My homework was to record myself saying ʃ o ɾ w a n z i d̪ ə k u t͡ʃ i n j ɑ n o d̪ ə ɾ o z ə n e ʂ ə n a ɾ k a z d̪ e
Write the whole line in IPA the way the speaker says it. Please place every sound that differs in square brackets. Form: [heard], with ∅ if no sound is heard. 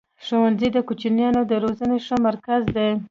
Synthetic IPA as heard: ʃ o [∅] w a n z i d̪ ə k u t͡ʃ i n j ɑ n o d̪ ə ɾ o z ə n e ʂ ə [m] a ɾ k a z d̪ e